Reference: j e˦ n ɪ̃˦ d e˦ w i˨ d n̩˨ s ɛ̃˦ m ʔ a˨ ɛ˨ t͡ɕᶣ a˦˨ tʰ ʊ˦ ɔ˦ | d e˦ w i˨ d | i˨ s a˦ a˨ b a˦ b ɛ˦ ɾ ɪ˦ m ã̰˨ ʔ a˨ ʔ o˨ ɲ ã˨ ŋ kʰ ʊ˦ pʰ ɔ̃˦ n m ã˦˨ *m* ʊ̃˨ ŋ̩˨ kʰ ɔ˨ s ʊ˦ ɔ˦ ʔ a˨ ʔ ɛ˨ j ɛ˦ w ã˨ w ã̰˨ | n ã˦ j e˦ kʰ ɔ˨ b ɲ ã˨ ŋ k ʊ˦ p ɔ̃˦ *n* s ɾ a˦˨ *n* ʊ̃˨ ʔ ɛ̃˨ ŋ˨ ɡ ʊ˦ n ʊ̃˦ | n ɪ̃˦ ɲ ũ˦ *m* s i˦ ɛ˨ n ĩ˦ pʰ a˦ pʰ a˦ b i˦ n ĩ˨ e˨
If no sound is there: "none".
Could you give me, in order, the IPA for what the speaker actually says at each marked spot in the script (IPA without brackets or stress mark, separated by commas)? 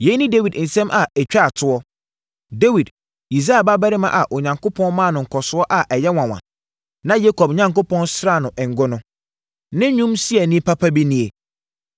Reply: n, n, n, m